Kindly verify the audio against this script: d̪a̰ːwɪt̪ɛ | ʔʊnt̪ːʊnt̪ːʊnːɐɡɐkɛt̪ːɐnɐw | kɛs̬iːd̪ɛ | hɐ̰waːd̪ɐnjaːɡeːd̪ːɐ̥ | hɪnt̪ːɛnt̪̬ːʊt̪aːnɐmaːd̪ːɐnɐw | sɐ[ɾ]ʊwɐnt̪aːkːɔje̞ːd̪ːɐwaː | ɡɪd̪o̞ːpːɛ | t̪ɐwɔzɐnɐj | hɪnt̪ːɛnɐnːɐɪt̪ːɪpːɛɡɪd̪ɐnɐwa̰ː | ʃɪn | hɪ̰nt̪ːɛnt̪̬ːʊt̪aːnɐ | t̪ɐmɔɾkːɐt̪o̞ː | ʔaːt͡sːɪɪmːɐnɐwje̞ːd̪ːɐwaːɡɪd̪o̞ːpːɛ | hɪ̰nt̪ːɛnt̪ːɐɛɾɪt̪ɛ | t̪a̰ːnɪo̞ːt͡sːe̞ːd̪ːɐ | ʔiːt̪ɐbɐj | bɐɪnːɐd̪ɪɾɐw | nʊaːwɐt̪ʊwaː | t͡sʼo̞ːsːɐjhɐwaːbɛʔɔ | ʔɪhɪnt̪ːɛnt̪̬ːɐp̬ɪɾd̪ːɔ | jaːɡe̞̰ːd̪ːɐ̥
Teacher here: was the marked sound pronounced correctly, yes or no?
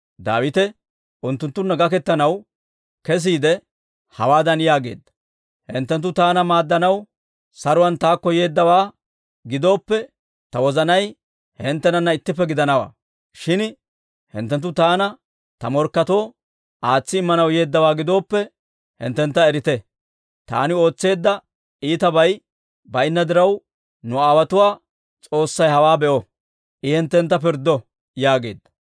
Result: yes